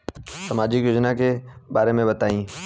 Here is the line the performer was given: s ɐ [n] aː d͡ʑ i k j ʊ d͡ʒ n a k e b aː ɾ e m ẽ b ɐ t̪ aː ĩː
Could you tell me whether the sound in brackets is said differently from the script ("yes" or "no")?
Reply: yes